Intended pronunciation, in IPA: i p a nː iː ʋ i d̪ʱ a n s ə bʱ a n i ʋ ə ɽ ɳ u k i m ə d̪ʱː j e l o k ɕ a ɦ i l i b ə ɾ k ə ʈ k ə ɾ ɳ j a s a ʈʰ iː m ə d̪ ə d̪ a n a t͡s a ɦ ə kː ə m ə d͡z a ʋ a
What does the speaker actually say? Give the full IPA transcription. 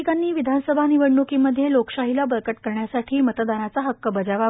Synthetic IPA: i k a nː iː ʋ i d̪ʱ a n s ə bʱ a n i ʋ ə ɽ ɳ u k i m ə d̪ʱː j e l o k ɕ a ɦ i l a b ə ɾ k ə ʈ k ə ɾ ɳ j a s a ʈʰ iː m ə t̪ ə d̪ a n a t͡s a ɦ ə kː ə b ə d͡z a ʋ a